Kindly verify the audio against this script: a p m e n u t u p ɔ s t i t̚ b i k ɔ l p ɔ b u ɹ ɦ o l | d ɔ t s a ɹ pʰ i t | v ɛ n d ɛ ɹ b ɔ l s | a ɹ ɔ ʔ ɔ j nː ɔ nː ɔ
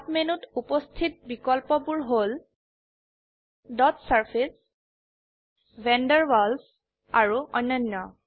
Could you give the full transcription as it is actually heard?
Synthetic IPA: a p m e n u t u p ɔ s tʰ i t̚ b i k ɔ l p ɔ b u ɹ ɦ o l | d ɔ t s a ɹ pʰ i s | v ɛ n d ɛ ɹ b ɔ l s | a ɹ u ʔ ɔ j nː ɔ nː ɔ

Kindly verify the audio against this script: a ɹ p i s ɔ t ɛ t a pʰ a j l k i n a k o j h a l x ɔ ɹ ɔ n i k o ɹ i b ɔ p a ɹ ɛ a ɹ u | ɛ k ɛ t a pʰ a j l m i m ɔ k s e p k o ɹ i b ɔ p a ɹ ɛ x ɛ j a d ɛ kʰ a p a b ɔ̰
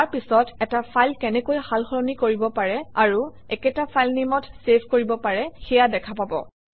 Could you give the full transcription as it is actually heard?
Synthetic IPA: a ɹ p i s ɔ t ɛ t a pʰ a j l k ɛ n ɛ k o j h a l x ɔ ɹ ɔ n i k o ɹ i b ɔ p a ɹ ɛ a ɹ u | ɛ k ɛ t a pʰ a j l n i m ɔ t s e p k o ɹ i b ɔ p a ɹ ɛ x ɛ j a d ɛ kʰ a p a b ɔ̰

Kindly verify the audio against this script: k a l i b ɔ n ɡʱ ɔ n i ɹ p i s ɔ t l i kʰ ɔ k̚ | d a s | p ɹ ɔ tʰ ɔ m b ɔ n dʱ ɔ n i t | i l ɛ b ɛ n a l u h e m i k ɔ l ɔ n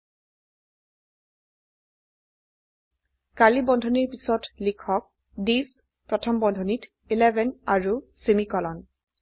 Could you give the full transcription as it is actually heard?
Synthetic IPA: k a l i b ɔ n dʱ ɔ n i ɹ p i s ɔ t l i kʰ ɔ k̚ | d i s | p ɹ ɔ tʰ ɔ m b ɔ n dʱ ɔ n i t | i l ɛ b ɛ n a ɹ u s e m i k ɔ l ɔ n

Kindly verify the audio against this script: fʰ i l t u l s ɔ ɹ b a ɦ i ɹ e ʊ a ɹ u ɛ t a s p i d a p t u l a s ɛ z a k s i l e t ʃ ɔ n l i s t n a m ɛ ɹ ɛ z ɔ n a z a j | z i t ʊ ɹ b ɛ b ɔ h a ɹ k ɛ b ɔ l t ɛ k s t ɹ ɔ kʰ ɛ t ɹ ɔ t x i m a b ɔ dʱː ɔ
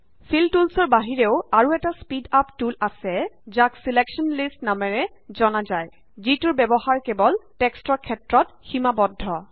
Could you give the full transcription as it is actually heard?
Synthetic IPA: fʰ i l t u l s ɔ ɹ b a ɦ i ɹ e ʊ a ɹ u ɛ t a s p i d a p t u l a s ɛ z a k s i l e k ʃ ɔ n l i s t n a m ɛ ɹ ɛ z ɔ n a z a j | z i t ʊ ɹ b ɛ b ɔ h a ɹ k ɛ b ɔ l t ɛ k s t ɹ ɔ kʰ ɛ t ɹ ɔ t x i m a b ɔ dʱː ɔ

